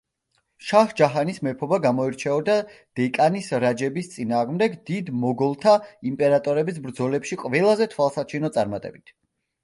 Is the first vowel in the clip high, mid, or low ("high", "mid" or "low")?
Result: low